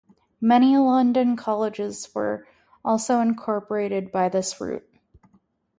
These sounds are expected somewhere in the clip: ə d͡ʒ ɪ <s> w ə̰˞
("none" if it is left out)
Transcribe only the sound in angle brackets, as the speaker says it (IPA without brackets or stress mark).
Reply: z